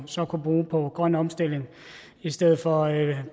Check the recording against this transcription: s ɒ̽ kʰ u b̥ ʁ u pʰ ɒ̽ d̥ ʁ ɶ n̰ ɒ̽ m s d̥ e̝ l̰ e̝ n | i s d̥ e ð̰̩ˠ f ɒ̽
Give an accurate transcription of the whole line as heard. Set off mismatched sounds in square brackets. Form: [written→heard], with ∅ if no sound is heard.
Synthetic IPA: s ɒ̽ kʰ u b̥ ʁ [u→uː] pʰ ɒ̽ [d̥→ɡ̥] ʁ ɶ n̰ ɒ̽ m s d̥ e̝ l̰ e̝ [n→ŋ] | i s d̥ e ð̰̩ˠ f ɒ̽